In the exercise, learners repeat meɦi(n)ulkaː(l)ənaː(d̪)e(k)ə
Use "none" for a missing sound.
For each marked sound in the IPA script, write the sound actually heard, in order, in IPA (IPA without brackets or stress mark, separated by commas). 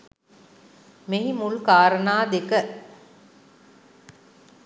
m, ɾ, d̪, k